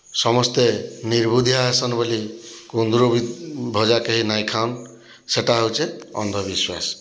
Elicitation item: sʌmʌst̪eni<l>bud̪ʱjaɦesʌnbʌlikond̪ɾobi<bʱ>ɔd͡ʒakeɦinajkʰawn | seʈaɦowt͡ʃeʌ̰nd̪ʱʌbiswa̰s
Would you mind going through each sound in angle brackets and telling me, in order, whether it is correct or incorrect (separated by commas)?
incorrect, correct